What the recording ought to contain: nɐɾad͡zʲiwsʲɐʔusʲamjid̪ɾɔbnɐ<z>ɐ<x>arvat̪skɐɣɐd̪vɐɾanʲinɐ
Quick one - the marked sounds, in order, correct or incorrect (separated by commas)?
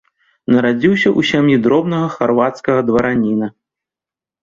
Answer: incorrect, correct